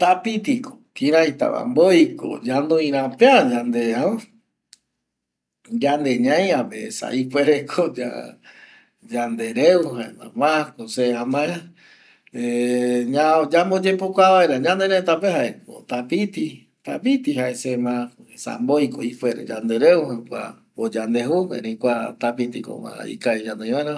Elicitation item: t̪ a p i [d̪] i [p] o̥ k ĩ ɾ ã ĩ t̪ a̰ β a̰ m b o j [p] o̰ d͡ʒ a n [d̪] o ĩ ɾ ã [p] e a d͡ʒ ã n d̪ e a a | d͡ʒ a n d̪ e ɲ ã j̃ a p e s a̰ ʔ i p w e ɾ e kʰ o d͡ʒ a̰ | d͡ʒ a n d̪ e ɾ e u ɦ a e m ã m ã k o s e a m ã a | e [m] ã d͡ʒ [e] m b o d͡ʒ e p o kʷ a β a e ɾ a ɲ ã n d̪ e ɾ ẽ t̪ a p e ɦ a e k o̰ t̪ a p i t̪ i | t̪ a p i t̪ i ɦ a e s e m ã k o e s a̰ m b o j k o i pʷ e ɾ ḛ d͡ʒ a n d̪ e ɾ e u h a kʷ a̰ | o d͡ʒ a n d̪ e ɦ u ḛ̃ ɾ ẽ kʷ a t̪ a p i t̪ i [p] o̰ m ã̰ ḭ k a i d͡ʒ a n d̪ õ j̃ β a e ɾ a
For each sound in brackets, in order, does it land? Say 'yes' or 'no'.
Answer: no, no, no, yes, yes, no, no, no

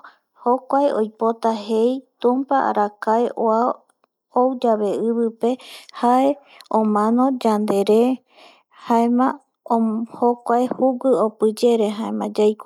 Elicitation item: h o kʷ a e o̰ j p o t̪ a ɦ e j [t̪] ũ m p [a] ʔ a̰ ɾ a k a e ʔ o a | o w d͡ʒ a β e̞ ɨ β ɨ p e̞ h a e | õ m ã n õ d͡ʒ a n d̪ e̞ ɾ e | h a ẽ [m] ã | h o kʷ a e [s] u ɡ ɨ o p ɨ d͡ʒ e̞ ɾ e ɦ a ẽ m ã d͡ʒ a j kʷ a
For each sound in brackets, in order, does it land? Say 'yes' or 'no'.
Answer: yes, yes, yes, no

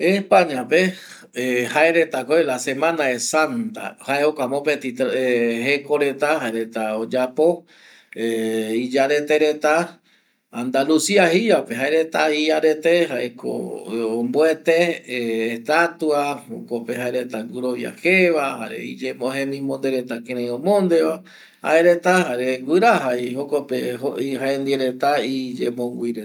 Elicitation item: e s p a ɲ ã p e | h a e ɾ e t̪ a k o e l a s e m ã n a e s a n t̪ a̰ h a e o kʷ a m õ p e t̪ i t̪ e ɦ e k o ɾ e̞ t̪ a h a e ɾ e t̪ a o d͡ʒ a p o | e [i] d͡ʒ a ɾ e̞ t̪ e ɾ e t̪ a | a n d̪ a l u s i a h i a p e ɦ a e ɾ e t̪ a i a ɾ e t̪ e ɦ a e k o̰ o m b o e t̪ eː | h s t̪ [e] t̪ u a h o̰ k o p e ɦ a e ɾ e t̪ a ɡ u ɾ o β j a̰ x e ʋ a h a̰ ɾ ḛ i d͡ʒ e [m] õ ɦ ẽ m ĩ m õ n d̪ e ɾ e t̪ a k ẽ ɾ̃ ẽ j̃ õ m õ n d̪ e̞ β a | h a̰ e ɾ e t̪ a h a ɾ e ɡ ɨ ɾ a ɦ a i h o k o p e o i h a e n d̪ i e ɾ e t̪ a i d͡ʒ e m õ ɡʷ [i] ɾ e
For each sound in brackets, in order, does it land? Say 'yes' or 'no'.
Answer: yes, no, yes, yes

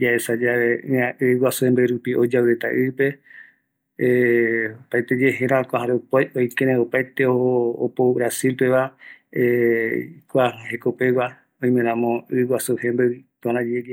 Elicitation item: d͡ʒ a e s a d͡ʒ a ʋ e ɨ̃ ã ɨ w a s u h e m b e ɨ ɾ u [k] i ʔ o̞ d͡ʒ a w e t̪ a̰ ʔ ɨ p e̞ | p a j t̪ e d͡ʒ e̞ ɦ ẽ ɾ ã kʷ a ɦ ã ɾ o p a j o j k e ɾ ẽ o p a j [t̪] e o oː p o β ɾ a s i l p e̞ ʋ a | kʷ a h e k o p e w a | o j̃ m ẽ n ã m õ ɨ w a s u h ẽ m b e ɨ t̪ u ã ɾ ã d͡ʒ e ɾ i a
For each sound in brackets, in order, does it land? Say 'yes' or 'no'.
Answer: no, yes

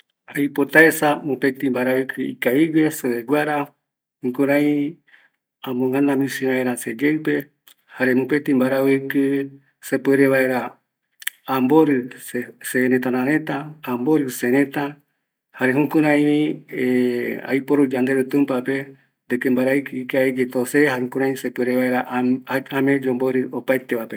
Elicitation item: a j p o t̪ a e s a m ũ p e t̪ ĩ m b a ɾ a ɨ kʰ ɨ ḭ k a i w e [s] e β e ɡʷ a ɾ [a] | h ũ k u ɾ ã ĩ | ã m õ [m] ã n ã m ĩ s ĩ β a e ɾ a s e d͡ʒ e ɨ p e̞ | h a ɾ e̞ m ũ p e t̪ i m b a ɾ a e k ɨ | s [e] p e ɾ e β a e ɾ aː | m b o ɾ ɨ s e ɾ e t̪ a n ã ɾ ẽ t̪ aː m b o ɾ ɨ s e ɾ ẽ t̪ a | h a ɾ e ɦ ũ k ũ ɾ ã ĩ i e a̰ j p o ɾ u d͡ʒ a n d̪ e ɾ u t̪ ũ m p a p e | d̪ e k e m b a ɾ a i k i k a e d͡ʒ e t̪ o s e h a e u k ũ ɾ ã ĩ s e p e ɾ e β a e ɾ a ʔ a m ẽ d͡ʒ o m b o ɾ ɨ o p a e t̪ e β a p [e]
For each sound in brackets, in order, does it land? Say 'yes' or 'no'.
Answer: yes, yes, no, yes, yes

